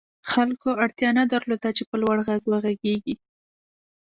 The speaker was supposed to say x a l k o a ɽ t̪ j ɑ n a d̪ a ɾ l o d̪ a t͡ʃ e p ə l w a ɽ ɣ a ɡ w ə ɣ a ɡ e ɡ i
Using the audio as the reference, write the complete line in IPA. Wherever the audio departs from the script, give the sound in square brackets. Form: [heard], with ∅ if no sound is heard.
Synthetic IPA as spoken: x a l k o a ɽ t̪ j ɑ n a d̪ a ɾ l o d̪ a t͡ʃ e p ə l w a ɽ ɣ a ɡ w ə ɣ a ɡ e ɡ i